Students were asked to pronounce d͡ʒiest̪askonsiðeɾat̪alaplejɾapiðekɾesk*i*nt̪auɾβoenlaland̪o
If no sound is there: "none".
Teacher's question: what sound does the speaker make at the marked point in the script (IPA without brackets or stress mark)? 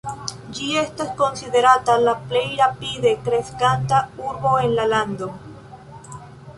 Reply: a